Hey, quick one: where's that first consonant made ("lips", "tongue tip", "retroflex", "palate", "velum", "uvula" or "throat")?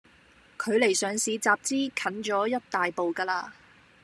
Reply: velum